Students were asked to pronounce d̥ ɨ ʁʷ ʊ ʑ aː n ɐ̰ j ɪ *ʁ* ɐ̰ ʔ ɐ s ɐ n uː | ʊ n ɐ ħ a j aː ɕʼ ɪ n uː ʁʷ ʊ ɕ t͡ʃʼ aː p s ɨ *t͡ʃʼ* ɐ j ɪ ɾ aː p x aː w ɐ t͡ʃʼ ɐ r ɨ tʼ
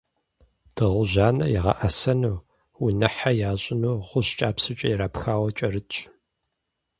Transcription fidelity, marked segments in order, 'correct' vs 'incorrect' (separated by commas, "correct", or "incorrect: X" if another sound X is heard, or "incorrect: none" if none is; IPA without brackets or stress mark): correct, correct